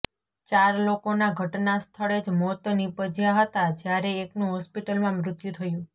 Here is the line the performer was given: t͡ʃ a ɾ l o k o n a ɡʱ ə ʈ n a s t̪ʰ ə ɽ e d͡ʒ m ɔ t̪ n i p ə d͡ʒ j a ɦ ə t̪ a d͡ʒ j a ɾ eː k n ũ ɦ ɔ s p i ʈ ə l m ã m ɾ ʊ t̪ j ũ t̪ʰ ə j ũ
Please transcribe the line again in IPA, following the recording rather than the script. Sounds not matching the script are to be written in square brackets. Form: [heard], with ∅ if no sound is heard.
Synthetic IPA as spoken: t͡ʃ a ɾ l o k o n a ɡʱ ə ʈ n a s t̪ʰ ə [ɭ] e d͡ʒ m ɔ t̪ n i p ə d͡ʒ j a ɦ ə t̪ a d͡ʒ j a ɾ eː k n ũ ɦ ɔ s p i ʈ ə l m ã m ɾ ʊ t̪ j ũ t̪ʰ ə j ũ